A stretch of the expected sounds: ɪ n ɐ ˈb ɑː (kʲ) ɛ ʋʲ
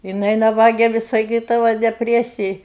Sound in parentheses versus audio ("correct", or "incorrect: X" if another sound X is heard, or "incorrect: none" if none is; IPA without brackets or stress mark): incorrect: ɡʲ